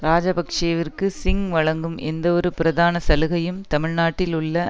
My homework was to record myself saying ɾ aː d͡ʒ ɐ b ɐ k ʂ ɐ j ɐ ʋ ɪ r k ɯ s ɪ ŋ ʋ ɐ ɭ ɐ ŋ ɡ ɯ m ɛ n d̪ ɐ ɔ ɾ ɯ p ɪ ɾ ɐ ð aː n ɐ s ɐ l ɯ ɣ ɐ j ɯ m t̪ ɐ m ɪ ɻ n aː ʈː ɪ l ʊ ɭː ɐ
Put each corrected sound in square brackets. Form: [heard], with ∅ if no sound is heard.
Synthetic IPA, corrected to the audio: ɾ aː d͡ʒ ɐ b ɐ k ʂ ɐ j ɐ ʋ ɪ r k ɯ s ɪ ŋ ʋ ɐ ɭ ɐ ŋ ɡ ɯ m ɛ n d̪ ɐ ɔ ɾ ɯ p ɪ ɾ ɐ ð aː n ɐ s ɐ l ɯ ɣ ɐ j ɯ m t̪ ɐ m ɪ ɻ n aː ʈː ɪ l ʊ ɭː ɐ